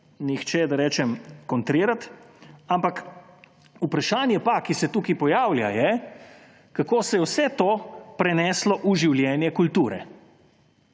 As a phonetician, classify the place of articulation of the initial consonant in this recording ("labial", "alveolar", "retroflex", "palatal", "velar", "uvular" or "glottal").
alveolar